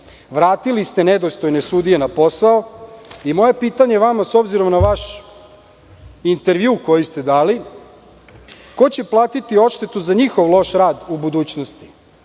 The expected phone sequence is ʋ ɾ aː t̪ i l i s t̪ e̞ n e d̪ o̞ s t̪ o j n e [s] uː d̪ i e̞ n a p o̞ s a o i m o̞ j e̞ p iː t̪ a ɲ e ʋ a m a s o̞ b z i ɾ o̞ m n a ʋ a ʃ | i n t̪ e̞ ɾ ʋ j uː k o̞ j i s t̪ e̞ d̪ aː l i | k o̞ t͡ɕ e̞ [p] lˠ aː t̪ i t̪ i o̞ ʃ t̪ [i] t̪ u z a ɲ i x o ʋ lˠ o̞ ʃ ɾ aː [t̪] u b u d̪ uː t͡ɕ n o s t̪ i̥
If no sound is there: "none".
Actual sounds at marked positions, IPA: s, p, e, d̪

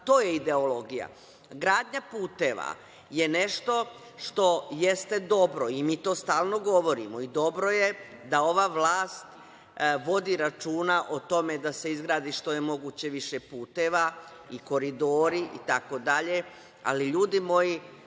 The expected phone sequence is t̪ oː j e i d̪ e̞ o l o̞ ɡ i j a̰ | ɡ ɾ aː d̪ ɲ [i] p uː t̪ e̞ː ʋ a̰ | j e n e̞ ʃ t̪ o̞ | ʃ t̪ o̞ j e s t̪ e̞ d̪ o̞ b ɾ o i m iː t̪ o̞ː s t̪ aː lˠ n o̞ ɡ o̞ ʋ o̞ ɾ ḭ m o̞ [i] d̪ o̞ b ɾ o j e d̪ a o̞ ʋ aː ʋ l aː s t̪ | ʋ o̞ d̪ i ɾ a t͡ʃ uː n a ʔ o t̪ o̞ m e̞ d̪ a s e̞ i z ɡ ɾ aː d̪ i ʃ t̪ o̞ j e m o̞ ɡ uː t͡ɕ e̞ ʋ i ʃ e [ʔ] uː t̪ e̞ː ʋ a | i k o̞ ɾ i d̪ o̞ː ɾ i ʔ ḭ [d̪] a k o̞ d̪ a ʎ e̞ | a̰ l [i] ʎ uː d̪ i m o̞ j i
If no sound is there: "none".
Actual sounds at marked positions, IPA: a, i, p, t̪, i

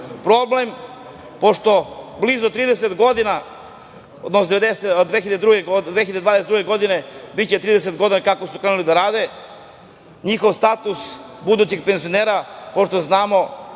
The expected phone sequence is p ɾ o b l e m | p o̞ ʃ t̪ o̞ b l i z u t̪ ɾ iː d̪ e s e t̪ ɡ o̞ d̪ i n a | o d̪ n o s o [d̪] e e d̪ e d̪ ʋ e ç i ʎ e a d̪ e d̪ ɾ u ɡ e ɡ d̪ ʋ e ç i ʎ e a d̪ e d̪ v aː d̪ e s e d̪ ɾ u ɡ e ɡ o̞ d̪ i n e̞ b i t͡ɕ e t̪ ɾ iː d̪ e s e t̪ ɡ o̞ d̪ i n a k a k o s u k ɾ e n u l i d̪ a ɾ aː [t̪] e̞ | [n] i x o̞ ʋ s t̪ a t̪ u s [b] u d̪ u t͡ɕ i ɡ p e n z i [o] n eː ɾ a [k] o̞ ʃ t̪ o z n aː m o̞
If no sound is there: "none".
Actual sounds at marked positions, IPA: d̪, d̪, ɲ, b, o, p

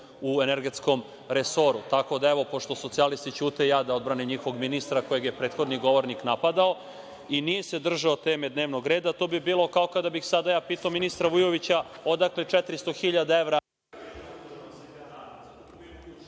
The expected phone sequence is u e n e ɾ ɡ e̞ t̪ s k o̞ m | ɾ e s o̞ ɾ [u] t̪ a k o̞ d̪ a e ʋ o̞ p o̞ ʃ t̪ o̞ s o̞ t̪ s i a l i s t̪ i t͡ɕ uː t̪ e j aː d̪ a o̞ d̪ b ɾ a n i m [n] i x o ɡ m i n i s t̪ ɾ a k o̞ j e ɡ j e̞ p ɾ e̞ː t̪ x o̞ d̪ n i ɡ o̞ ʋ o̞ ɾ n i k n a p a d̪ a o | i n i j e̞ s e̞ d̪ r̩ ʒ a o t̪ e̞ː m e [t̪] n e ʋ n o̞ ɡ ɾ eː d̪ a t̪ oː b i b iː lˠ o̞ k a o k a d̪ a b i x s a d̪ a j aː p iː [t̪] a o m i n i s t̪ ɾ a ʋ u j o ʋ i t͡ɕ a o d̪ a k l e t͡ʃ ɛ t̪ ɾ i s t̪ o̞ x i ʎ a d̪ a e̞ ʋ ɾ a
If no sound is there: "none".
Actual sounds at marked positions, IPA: u, ɲ, d̪, t̪

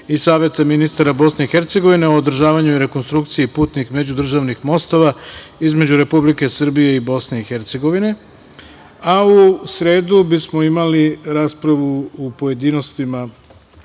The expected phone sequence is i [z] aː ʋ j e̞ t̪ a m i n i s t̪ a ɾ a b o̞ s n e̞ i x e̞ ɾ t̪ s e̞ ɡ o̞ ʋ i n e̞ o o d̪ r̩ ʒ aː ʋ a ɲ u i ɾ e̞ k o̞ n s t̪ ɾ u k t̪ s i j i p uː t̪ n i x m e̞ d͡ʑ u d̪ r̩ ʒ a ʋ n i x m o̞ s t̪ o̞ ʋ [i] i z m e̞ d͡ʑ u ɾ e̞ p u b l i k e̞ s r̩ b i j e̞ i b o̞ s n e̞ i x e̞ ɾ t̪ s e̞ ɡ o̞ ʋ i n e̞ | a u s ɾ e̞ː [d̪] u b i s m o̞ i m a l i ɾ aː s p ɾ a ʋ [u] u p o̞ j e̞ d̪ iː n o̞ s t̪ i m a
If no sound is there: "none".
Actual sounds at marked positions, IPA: s, a, d̪, u

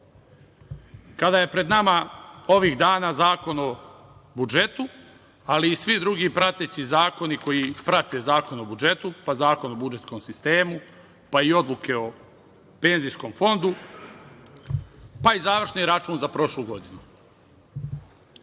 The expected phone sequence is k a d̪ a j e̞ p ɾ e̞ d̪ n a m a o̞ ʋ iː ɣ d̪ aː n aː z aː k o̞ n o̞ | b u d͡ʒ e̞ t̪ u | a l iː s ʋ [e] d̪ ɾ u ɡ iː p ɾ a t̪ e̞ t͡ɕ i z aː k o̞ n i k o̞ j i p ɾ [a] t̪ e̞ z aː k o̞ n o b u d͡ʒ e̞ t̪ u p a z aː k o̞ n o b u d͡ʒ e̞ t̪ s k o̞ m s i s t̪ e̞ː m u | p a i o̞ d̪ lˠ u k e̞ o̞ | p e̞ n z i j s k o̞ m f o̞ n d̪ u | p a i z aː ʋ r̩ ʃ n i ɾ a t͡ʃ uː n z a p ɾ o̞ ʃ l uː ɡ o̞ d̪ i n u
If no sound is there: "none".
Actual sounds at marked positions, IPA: i, a

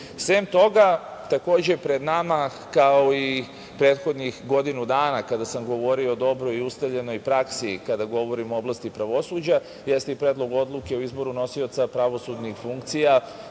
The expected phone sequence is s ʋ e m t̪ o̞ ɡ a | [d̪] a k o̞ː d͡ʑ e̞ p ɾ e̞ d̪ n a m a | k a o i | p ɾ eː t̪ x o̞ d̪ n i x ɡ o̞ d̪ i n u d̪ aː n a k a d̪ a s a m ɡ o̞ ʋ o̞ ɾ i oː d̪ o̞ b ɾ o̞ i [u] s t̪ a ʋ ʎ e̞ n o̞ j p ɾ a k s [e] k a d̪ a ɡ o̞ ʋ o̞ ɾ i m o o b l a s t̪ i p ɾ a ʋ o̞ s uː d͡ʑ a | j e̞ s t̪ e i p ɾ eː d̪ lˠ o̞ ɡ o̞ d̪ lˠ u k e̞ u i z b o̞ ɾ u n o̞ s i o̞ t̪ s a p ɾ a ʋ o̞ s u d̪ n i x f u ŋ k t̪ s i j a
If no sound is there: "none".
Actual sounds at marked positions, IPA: t̪, u, i

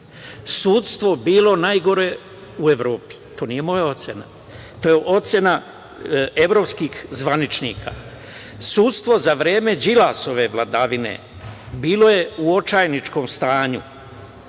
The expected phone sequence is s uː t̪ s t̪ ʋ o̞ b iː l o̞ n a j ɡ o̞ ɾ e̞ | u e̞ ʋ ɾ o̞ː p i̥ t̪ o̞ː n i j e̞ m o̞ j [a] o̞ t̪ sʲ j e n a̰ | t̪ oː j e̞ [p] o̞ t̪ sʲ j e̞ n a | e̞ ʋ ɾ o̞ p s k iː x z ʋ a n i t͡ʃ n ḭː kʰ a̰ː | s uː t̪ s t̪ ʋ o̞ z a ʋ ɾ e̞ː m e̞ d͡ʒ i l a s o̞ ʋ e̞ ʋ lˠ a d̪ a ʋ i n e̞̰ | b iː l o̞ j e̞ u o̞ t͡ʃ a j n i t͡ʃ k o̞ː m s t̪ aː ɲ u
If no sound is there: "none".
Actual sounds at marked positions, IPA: a, ʔ

